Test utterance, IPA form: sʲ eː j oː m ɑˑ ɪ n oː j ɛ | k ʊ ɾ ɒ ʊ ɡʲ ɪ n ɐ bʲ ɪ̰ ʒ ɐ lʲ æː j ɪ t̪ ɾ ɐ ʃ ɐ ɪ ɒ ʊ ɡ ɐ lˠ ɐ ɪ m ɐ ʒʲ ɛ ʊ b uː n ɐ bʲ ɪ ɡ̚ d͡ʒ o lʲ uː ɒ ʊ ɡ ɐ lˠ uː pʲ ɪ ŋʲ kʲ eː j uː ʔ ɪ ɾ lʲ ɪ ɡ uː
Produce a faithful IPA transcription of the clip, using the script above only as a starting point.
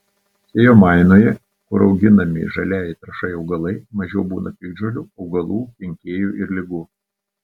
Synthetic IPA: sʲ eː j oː m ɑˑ ɪ n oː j ɛ | k ʊ ɾ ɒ ʊ ɡʲ ɪ n ɐ mʲ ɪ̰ ʒ ɐ lʲ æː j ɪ t̪ ɾ ɐ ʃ ɐ ɪ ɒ ʊ ɡ ɐ lˠ ɐ ɪ m ɐ ʒʲ ɛ ʊ b uː n ɐ pʲ ɪ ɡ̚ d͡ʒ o lʲ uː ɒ ʊ ɡ ɐ lˠ uː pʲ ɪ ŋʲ kʲ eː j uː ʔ ɪ ɾ lʲ ɪ ɡ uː